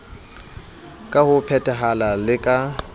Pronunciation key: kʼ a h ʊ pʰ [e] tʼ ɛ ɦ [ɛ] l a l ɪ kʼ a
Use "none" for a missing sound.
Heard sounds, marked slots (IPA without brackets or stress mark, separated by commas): ɛ, a